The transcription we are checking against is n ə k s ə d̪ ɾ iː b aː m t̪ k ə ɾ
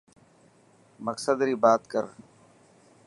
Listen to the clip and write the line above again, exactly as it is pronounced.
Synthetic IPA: m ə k s ə d̪ ɾ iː b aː t̪ k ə ɾ